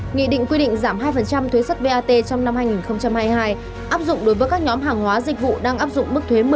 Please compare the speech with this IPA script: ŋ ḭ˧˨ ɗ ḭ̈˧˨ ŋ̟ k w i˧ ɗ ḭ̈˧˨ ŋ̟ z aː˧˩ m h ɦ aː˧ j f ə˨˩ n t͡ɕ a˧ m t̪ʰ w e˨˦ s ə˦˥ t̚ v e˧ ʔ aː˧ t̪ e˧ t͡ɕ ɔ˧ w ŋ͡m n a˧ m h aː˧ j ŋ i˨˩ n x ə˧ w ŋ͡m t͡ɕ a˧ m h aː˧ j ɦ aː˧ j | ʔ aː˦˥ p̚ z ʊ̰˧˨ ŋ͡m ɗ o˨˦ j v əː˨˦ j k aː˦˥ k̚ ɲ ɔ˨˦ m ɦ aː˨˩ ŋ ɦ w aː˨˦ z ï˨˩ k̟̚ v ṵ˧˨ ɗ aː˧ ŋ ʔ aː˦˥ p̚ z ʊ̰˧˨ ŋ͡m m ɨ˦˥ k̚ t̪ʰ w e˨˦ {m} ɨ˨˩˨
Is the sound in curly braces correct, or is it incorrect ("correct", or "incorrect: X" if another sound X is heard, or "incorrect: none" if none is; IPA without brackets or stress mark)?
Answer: correct